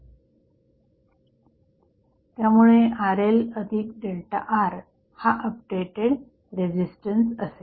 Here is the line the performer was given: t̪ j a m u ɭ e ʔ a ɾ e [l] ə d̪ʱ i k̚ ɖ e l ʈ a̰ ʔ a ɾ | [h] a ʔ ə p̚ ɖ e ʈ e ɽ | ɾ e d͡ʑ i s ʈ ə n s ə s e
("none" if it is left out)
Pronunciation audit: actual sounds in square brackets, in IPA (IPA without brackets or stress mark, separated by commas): l, h